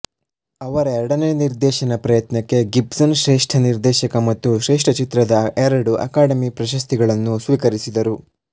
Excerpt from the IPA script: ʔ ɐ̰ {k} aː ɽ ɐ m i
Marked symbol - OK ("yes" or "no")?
yes